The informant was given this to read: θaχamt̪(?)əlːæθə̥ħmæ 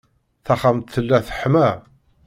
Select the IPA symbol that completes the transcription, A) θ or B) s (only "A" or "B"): A